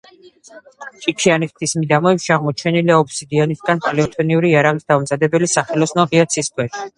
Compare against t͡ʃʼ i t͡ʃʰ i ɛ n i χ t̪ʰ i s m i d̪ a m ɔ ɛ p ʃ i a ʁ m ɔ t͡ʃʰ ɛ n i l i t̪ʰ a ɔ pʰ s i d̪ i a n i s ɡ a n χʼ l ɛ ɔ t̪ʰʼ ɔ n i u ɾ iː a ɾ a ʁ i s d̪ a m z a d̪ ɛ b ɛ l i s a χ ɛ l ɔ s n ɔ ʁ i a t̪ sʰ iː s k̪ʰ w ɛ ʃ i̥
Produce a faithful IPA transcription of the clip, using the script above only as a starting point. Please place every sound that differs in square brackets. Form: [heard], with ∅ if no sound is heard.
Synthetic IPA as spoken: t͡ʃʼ i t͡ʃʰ i [a] n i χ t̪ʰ i s m i d̪ a m ɔ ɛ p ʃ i a ʁ m ɔ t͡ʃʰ ɛ n i l i [∅] a ɔ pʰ s i d̪ i a n i s ɡ a n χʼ l ɛ ɔ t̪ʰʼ ɔ n i u ɾ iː a ɾ a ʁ i s d̪ a m z a d̪ ɛ b ɛ l i s a χ ɛ l ɔ s n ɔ ʁ i a t̪ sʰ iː s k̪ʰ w ɛ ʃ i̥

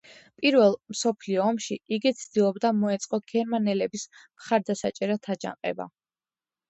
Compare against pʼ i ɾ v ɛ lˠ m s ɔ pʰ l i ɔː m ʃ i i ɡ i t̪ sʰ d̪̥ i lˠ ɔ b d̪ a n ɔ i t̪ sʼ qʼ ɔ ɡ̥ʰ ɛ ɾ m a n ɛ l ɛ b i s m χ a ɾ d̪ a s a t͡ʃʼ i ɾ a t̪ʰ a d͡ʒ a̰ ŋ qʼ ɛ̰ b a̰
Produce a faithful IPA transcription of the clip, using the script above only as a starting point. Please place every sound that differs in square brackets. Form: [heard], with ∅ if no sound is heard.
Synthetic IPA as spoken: pʼ i ɾ v ɛ lˠ m s ɔ pʰ l i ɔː m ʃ i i ɡ i t̪ sʰ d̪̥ i lˠ ɔ b d̪ a [m] ɔ [ɛ] t̪ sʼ qʼ ɔ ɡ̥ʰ ɛ ɾ m a n ɛ l ɛ b i s m χ a ɾ d̪ a s a t͡ʃʼ [ɛ] ɾ a t̪ʰ a d͡ʒ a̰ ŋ qʼ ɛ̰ b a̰

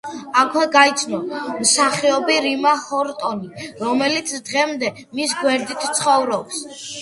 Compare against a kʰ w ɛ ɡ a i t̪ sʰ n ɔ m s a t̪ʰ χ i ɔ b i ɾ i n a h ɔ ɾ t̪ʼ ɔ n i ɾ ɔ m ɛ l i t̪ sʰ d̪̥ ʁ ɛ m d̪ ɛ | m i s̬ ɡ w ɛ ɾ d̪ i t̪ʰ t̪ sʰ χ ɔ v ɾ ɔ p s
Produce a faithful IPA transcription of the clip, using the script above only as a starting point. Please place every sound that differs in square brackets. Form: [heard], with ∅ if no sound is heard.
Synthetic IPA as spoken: a kʰ w ɛ ɡ a i t̪ sʰ n ɔ m s a [∅] χ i ɔ b i ɾ i [m] a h ɔ ɾ t̪ʼ ɔ n i ɾ ɔ m ɛ l i t̪ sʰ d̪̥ ʁ ɛ m d̪ ɛ | m i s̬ ɡ w ɛ ɾ d̪ i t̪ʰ t̪ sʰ χ ɔ v ɾ ɔ p s

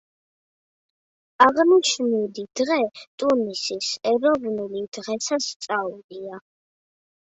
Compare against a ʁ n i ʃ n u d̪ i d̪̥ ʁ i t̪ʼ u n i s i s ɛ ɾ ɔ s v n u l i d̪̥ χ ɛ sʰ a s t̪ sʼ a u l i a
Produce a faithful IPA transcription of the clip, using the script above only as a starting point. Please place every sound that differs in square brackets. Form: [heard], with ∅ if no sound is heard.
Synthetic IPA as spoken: a ʁ n i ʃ n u d̪ i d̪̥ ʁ [ɛ] t̪ʼ u n i s i s ɛ ɾ ɔ [∅] v n u l i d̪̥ [ʁ] ɛ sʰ a s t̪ sʼ a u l i a

